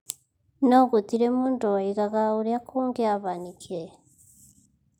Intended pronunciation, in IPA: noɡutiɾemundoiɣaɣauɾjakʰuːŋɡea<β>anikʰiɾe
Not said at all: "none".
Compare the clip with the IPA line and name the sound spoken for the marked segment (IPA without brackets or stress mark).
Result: β